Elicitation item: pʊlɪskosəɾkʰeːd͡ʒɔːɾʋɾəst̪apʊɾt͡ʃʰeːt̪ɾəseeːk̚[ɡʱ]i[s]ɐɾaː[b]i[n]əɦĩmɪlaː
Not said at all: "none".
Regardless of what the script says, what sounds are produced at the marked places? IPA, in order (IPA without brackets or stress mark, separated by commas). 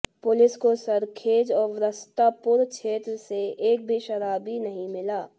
bʱ, ʃ, b, n